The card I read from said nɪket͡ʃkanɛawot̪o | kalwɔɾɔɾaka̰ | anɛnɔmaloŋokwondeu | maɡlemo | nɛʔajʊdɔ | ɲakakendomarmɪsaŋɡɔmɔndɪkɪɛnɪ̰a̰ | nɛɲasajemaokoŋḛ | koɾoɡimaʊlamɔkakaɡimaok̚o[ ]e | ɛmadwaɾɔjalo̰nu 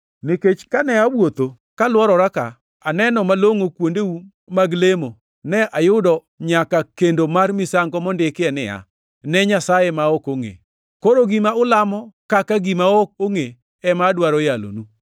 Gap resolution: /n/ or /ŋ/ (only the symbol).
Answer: ŋ